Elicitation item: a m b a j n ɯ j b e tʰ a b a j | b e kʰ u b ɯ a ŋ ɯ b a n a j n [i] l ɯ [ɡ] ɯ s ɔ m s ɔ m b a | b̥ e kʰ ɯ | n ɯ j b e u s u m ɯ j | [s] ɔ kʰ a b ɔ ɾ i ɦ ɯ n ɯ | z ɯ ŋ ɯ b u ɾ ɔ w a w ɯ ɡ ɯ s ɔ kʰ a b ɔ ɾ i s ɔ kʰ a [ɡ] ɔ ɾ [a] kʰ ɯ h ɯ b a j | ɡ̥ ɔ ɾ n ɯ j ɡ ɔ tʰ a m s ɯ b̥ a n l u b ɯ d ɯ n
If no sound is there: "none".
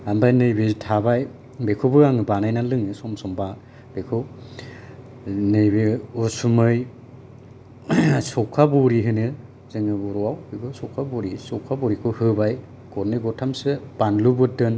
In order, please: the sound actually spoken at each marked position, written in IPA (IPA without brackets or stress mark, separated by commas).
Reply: a, ŋ, s, b, i